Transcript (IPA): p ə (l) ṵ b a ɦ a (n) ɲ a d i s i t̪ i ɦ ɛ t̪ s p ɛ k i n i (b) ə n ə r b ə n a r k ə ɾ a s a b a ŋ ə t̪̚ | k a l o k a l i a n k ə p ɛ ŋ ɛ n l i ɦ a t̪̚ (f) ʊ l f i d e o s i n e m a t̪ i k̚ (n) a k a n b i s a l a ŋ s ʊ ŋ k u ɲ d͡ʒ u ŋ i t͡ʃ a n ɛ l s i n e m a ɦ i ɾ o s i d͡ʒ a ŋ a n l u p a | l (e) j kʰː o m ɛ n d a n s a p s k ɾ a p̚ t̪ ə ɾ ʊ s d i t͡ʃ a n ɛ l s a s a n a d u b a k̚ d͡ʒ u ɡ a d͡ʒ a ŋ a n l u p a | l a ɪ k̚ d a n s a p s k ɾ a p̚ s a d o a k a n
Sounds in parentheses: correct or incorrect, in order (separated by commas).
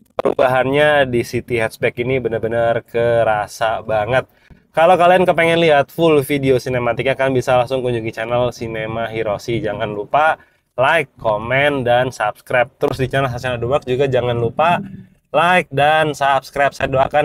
incorrect, correct, correct, correct, incorrect, incorrect